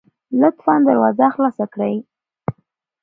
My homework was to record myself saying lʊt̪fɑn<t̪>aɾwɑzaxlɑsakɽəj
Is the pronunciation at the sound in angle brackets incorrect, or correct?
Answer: incorrect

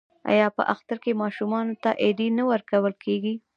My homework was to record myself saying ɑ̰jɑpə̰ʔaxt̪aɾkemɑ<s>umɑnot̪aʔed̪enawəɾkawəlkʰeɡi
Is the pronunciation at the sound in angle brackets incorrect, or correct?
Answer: incorrect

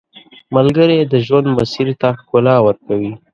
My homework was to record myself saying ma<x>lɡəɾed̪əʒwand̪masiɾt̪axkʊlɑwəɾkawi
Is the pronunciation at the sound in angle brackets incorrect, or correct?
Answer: incorrect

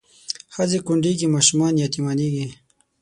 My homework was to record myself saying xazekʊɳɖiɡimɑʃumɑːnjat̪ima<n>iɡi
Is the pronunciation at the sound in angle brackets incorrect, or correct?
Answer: correct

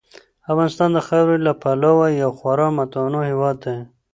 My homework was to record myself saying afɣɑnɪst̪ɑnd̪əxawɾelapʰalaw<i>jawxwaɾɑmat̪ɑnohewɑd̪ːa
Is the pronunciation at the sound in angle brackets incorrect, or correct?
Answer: incorrect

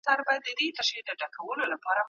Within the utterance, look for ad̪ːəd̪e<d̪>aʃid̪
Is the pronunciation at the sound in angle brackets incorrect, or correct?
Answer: incorrect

